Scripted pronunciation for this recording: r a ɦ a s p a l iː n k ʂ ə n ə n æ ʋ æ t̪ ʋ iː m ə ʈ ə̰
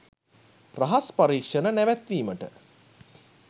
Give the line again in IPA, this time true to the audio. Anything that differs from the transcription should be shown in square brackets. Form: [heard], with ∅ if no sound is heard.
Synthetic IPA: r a ɦ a s p a [ɾ] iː [∅] k ʂ ə n ə n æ ʋ æ t̪ ʋ iː m ə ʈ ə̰